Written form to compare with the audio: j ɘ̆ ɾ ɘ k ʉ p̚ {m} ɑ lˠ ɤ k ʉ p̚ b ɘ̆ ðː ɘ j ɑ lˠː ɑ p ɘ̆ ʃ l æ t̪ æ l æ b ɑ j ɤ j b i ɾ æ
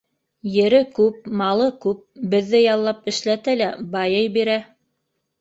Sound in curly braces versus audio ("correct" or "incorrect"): correct